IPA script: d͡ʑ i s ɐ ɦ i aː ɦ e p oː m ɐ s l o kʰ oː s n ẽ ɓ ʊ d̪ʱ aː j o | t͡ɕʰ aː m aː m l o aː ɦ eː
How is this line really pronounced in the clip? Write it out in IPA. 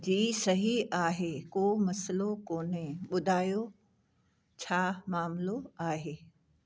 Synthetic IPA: d͡ʑ iː s ɐ ɦ i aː ɦ e k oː m ɐ s l o k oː n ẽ ɓ ʊ d̪ʱ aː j o | t͡ɕʰ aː m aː m l o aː ɦ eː